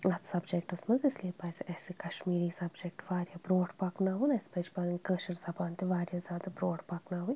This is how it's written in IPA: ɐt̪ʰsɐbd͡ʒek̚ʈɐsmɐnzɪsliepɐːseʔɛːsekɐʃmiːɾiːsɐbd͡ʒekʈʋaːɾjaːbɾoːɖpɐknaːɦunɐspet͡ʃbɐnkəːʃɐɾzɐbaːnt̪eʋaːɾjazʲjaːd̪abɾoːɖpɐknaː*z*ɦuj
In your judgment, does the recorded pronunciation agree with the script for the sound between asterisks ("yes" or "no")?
no